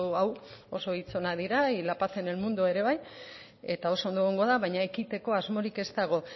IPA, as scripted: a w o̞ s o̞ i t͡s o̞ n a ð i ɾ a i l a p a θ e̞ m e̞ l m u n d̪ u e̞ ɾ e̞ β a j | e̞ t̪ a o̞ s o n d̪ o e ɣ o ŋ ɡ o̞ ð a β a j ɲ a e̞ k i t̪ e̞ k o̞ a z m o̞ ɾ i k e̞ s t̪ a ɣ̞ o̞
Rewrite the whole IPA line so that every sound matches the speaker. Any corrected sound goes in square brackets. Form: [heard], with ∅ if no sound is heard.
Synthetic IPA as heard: a w o̞ s o̞ i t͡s o̞ n a ð i ɾ a i l a p a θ e̞ [n] e̞ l m u n d̪ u e̞ ɾ e̞ β a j | e̞ t̪ a o̞ s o n d̪ o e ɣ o ŋ ɡ o̞ ð a β a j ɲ a e̞ k i t̪ e̞ k o̞ a z m o̞ ɾ i k e̞ s t̪ a ɣ̞ o̞

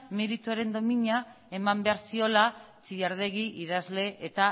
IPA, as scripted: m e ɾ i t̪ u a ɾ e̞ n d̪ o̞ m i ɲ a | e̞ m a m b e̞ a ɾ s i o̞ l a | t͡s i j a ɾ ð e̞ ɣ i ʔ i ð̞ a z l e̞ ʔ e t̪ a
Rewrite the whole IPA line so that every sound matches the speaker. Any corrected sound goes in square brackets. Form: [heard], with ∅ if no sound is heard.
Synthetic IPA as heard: m e ɾ i t̪ u a ɾ e̞ n d̪ o̞ m i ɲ a | e̞ m a m b e̞ a ɾ s i o̞ l a | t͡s i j a ɾ ð e̞ ɣ i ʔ i ð̞ a z l e̞ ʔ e t̪ a

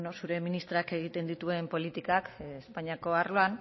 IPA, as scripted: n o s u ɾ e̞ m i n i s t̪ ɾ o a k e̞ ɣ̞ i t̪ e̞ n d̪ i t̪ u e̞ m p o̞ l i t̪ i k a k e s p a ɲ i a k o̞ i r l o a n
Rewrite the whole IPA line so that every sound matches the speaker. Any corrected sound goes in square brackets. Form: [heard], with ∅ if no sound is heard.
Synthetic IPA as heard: n o s u ɾ e̞ m i n i s t̪ ɾ o a k e̞ ɣ̞ i t̪ e̞ n d̪ i t̪ u e̞ m p o̞ l i t̪ i k a k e s p a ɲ i a k o̞ [a] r l o a n

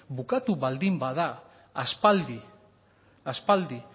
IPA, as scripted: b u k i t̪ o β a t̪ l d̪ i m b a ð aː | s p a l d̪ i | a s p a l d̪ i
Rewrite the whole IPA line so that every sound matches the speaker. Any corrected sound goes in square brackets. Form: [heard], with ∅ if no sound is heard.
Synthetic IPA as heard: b u k [a] t̪ [u] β a [∅] l d̪ i m b a ð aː | s p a l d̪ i | a s p a l d̪ i

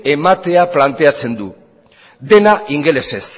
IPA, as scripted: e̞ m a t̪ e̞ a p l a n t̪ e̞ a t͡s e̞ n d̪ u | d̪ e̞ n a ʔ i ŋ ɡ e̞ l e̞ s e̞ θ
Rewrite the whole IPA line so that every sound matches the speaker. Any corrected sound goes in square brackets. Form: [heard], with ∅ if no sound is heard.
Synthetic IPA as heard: e̞ m a t̪ e̞ a p l a n t̪ e̞ a t͡s e̞ n d̪ u | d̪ e̞ n a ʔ i ŋ ɡ e̞ l e̞ s e̞ [s]

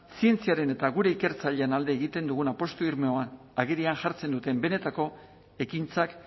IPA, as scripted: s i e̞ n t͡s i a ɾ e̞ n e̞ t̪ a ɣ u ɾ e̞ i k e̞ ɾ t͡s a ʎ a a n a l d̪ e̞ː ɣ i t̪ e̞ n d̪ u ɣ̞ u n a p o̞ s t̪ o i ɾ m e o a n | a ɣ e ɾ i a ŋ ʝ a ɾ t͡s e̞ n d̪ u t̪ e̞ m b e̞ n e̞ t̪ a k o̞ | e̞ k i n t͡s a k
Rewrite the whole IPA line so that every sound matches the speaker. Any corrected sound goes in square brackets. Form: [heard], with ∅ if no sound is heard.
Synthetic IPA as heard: s i e̞ n t͡s i a ɾ e̞ n e̞ t̪ a ɣ u ɾ e̞ i k e̞ ɾ t͡s a ʎ [e] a n a l d̪ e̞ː ɣ i t̪ e̞ n d̪ u ɣ̞ u n a p o̞ s t̪ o i ɾ m e o a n | a ɣ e ɾ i a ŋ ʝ a ɾ t͡s e̞ n d̪ u t̪ e̞ m b e̞ n e̞ t̪ a k o̞ | e̞ k i n t͡s a k

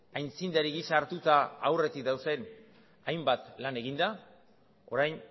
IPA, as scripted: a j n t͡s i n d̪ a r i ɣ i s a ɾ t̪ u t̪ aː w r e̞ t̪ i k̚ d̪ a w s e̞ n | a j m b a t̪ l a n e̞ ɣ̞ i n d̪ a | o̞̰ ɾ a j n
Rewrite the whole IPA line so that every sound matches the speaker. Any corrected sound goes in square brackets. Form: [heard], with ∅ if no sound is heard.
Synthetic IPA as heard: a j n t͡s i n d̪ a [ɾ] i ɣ i s a ɾ t̪ u t̪ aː w r e̞ t̪ i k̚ d̪ a w s e̞ n | a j m b a t̪ l a n e̞ ɣ̞ i n d̪ a | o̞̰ ɾ a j n

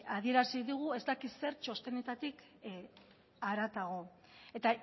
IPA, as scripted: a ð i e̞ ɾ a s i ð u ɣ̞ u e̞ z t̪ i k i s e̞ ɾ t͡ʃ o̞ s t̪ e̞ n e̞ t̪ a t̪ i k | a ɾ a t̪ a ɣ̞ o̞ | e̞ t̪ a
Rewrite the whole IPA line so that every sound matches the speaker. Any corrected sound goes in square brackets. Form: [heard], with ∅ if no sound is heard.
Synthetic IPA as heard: a ð i e̞ ɾ a s i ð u ɣ̞ u e̞ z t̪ [a] k i s e̞ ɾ t͡ʃ o̞ s t̪ e̞ n e̞ t̪ a t̪ i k | a ɾ a t̪ a ɣ̞ o̞ | e̞ t̪ a

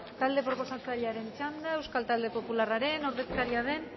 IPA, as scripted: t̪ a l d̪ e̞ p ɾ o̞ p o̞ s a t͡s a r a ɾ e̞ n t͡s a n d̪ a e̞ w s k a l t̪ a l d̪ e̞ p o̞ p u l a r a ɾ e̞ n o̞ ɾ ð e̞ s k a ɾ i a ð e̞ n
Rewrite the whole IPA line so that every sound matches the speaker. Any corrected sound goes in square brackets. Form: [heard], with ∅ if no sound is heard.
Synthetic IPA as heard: t̪ a l d̪ e̞ p ɾ o̞ p o̞ s a t͡s a [ʎ] a ɾ e̞ n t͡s a n d̪ a e̞ w s k a l t̪ a l d̪ e̞ p o̞ p u l a r a ɾ e̞ n o̞ ɾ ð e̞ s k a ɾ i a ð e̞ n

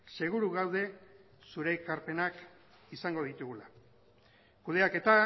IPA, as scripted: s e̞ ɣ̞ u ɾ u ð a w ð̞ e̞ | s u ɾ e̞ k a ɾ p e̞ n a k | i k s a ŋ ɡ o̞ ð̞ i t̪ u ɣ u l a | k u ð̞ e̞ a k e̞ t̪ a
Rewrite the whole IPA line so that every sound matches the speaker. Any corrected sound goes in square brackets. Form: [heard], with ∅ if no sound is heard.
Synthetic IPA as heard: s e̞ ɣ̞ u ɾ u [ɣ] a w ð̞ e̞ | s u ɾ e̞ k a ɾ p e̞ n a k | i [∅] s a ŋ ɡ o̞ ð̞ i t̪ u ɣ u l a | k u ð̞ e̞ a k e̞ t̪ a

